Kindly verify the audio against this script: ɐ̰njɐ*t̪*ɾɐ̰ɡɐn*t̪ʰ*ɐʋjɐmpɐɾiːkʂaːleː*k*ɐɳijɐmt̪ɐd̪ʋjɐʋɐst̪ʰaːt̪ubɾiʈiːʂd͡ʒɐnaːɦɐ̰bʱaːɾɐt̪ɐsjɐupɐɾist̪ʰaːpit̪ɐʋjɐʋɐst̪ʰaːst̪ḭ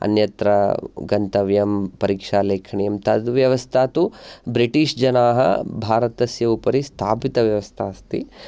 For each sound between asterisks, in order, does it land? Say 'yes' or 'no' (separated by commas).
yes, no, no